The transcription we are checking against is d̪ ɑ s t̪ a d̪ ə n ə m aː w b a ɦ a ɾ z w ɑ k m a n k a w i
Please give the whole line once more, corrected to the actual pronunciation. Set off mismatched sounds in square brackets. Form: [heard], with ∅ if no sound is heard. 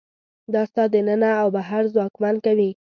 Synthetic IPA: d̪ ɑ s t̪ [ɑ] d̪ ə n ə [n] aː w b a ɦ a ɾ z w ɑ k m a n k a w i